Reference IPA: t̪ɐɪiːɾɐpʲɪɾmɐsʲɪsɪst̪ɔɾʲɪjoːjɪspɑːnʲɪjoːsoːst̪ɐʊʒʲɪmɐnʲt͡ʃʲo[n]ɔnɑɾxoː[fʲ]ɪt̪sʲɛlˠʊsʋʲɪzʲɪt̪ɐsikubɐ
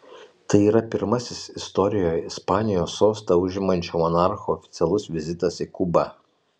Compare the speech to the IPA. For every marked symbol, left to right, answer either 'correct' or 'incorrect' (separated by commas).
incorrect, correct